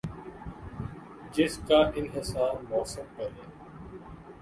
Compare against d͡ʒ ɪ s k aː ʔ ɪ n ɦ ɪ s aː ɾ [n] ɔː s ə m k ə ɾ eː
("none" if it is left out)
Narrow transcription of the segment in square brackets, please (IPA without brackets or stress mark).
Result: m